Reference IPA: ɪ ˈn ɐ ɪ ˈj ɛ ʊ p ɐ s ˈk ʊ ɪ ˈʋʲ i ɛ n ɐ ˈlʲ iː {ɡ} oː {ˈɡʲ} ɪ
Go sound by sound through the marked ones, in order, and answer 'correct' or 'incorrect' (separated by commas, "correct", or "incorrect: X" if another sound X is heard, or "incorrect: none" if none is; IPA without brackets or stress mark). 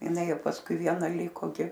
incorrect: k, correct